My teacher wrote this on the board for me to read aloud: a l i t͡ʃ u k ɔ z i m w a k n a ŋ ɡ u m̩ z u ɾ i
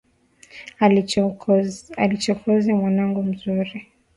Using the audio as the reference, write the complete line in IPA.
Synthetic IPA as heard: a l i t͡ʃ ɔ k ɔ z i m w a n a ŋ ɡ u m̩ z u ɾ i